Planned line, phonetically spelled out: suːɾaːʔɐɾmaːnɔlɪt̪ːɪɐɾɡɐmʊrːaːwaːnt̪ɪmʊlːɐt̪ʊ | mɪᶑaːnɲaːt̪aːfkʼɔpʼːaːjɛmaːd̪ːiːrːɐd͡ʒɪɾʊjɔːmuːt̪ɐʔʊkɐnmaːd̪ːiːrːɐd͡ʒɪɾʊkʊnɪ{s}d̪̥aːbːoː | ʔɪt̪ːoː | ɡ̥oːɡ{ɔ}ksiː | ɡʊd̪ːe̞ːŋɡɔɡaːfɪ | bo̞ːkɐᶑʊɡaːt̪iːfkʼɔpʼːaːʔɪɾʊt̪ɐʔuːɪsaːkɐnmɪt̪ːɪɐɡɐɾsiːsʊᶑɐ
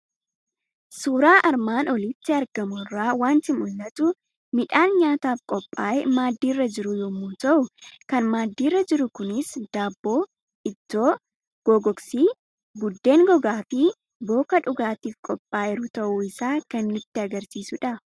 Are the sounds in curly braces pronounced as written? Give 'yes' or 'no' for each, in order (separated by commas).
yes, yes